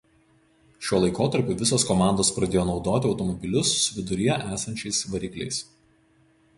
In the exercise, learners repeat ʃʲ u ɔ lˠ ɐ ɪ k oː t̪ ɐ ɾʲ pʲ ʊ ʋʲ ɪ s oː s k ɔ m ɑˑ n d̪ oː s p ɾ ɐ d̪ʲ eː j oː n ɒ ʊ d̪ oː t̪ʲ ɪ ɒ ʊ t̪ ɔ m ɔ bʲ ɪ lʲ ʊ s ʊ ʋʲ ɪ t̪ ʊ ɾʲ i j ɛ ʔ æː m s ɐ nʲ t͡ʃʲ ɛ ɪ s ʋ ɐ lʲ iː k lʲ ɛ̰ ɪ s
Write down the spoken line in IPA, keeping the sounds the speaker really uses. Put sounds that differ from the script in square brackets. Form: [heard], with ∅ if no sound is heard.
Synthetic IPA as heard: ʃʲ u ɔ lˠ ɐ ɪ k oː t̪ ɐ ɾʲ pʲ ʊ ʋʲ ɪ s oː s k ɔ m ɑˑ n d̪ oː s p ɾ ɐ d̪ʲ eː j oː n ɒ ʊ d̪ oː t̪ʲ ɪ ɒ ʊ t̪ ɔ m ɔ bʲ ɪ lʲ ʊ s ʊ ʋʲ ɪ [d̪] ʊ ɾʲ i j ɛ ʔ æː [∅] s ɐ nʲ t͡ʃʲ ɛ ɪ s ʋ ɐ [ɾʲ] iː k lʲ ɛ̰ ɪ s